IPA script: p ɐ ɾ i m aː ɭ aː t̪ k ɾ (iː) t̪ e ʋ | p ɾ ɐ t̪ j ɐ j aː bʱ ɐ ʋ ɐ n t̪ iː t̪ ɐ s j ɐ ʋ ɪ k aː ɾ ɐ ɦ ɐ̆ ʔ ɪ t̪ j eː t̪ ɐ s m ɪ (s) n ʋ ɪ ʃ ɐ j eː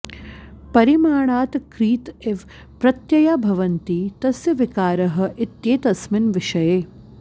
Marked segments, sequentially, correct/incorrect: correct, incorrect: none

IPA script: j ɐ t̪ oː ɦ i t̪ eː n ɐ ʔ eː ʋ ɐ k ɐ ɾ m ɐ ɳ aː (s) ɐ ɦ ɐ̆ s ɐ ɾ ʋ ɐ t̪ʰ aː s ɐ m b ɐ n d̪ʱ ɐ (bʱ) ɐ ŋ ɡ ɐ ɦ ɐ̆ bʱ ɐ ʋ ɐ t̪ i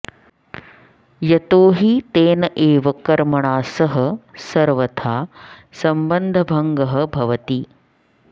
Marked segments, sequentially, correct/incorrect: correct, correct

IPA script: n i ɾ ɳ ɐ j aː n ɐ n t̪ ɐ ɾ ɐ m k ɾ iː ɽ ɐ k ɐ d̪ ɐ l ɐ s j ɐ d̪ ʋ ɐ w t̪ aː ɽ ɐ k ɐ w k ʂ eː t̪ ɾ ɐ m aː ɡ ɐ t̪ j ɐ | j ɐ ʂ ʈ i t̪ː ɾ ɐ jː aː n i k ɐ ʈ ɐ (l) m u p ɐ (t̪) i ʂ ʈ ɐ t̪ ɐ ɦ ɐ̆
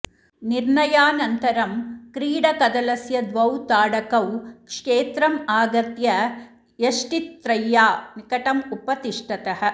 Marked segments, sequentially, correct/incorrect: incorrect: none, correct

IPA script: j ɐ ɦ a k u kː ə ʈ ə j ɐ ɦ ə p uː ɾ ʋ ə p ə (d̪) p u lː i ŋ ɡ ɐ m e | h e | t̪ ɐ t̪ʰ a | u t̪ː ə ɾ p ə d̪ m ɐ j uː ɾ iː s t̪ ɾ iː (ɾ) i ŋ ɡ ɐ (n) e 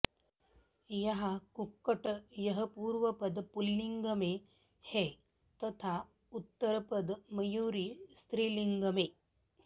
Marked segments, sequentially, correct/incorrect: correct, incorrect: l, incorrect: m

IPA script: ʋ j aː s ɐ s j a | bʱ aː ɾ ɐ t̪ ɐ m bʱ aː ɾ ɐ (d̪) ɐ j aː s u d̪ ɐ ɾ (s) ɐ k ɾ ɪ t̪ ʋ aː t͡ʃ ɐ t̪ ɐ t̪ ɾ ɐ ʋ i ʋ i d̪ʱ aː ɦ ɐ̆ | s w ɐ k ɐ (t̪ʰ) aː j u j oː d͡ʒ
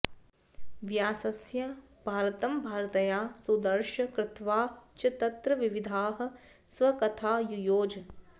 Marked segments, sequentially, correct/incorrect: incorrect: t̪, incorrect: ʃ, correct

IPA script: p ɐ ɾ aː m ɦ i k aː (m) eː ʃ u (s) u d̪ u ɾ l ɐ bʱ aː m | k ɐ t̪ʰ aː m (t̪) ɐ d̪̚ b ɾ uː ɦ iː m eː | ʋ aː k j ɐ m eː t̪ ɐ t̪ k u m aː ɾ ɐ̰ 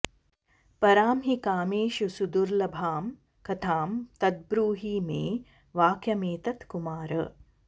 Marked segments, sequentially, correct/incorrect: correct, correct, correct

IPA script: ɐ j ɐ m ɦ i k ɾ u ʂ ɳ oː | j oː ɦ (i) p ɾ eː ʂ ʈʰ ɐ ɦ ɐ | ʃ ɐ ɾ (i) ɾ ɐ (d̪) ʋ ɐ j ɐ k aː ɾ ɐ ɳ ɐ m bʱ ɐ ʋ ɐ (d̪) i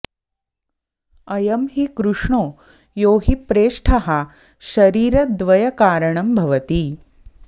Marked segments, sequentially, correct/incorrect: correct, incorrect: iː, correct, incorrect: t̪

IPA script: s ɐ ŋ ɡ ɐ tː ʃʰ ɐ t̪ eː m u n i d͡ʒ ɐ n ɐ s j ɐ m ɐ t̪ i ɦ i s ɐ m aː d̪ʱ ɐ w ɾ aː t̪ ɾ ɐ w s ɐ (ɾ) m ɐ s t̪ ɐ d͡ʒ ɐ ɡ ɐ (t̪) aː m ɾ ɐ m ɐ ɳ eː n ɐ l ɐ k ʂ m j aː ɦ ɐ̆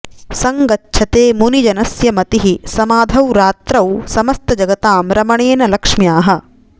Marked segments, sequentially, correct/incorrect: incorrect: none, correct

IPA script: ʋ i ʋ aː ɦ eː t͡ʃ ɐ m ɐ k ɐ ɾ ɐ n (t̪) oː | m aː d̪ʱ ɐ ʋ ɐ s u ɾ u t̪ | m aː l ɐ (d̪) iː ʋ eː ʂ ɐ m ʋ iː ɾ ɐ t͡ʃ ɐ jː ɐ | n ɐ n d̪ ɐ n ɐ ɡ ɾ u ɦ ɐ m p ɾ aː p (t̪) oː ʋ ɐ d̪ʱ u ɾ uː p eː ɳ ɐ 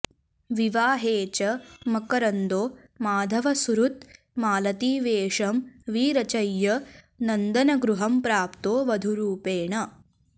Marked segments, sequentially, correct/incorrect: incorrect: d̪, incorrect: t̪, correct

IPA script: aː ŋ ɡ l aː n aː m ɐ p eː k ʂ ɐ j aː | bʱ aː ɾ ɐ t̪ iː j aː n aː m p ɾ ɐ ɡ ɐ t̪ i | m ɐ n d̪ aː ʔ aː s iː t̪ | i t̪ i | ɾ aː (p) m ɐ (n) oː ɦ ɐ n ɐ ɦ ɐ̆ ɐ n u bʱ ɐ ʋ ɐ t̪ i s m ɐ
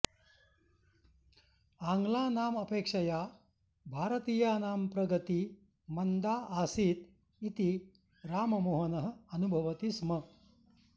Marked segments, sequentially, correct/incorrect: incorrect: none, incorrect: m

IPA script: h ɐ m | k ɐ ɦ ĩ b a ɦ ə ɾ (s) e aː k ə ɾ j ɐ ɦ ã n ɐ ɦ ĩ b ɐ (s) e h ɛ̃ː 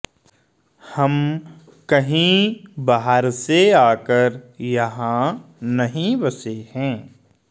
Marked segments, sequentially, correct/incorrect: correct, correct

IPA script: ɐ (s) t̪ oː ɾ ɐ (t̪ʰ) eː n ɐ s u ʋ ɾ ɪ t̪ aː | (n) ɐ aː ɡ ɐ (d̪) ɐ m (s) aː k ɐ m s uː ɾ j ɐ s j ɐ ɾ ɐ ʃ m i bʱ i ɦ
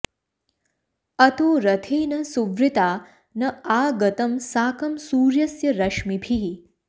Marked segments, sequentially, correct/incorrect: incorrect: none, correct, correct, incorrect: t̪, correct

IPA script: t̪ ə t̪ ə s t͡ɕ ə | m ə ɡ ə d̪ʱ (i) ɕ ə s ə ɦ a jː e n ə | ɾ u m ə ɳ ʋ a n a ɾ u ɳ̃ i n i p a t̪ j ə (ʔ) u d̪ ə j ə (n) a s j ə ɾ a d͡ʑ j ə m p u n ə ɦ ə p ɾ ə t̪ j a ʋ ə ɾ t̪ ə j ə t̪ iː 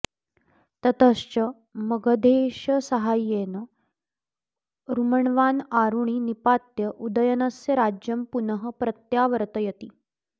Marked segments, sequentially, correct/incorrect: incorrect: e, correct, correct

